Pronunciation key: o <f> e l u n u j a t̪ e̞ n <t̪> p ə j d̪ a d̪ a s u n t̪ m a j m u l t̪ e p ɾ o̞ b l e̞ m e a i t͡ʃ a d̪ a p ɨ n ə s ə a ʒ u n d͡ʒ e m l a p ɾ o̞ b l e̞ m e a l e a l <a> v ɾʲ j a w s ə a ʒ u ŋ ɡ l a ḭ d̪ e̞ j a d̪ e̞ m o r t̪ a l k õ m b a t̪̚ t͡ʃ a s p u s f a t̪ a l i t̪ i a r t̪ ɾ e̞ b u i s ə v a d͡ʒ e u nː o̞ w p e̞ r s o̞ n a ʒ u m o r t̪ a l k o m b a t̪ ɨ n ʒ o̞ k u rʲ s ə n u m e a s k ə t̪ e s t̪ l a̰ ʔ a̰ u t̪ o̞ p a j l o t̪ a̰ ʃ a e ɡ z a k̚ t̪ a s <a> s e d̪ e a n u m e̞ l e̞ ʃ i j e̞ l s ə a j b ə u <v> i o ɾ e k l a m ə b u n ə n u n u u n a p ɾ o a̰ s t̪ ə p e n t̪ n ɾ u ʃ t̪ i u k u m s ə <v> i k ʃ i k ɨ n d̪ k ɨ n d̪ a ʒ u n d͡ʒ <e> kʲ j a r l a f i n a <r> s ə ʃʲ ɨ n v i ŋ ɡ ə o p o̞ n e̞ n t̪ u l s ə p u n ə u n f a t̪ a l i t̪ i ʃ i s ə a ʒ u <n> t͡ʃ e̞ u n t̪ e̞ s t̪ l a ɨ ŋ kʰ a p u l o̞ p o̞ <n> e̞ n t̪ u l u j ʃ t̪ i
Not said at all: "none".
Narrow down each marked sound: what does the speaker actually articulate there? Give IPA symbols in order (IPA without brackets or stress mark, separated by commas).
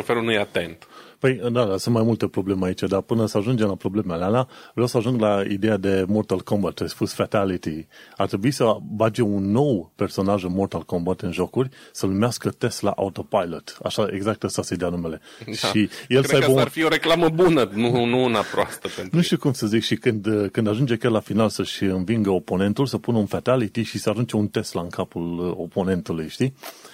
f, t̪, a, a, f, z, e, l, n, n